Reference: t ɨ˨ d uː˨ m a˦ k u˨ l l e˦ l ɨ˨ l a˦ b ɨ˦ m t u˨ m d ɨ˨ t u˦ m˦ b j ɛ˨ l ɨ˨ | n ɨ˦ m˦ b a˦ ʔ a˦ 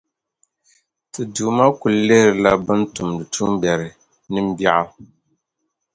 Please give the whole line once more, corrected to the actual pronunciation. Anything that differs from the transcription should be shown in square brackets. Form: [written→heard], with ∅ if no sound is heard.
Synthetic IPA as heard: t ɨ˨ d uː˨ m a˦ k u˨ l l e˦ [l→ɾ] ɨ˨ l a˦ b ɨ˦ [m→n] t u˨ m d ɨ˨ t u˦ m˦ b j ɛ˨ [l→ɾ] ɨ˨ | n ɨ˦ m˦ b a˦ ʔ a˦